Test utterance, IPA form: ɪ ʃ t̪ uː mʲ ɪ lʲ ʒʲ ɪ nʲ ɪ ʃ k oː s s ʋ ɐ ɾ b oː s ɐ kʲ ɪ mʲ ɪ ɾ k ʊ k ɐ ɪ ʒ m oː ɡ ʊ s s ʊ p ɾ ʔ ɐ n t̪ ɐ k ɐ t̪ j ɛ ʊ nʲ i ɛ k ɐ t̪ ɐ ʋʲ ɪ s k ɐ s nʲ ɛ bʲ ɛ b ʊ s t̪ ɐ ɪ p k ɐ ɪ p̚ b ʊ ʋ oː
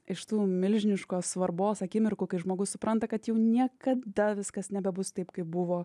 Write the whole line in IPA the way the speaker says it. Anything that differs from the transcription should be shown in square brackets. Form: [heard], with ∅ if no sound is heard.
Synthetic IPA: ɪ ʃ t̪ uː mʲ ɪ lʲ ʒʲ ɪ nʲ ɪ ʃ k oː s s ʋ ɐ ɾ b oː s ɐ kʲ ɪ mʲ ɪ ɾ k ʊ k ɐ ɪ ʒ m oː ɡ ʊ s s ʊ p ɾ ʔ ɐ n t̪ ɐ k ɐ t̪ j ɛ ʊ nʲ i ɛ k ɐ [d̪] ɐ ʋʲ ɪ s k ɐ s nʲ ɛ bʲ ɛ b ʊ s t̪ ɐ ɪ p k ɐ ɪ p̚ b ʊ ʋ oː